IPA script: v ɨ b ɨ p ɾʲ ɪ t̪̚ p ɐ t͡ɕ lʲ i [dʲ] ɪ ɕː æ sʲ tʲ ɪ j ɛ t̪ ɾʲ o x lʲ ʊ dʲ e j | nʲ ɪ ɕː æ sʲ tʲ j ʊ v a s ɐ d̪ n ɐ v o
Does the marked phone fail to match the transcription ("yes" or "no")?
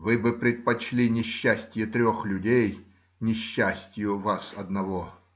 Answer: yes